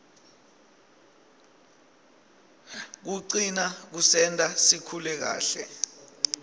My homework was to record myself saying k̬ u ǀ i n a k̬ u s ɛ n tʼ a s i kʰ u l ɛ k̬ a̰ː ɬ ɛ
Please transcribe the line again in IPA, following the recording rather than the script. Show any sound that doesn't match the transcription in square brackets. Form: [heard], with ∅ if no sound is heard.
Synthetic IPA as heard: k̬ u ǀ i n a k̬ u s ɛ n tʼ a s i kʰ u l ɛ k̬ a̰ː ɬ ɛ